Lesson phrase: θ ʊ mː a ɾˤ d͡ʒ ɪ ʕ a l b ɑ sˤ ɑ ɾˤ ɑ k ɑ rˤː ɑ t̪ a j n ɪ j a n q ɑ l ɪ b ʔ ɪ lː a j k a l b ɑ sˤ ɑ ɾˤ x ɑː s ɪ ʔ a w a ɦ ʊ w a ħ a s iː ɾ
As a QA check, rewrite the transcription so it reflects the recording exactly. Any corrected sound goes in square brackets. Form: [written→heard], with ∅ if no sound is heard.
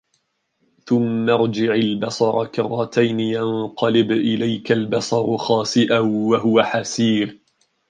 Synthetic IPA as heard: θ ʊ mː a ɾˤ d͡ʒ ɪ ʕ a l b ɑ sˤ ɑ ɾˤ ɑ k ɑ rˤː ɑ t̪ a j n ɪ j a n q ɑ l ɪ b ʔ ɪ [lː→l] a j k a l b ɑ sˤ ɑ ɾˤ x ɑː s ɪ ʔ a w a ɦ ʊ w a ħ a s iː ɾ